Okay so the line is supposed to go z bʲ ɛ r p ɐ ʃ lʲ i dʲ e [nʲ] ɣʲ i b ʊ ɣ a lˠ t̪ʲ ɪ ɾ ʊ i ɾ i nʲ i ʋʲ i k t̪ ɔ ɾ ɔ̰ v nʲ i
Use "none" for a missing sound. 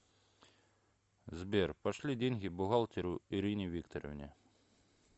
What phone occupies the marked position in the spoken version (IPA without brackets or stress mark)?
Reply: nʲ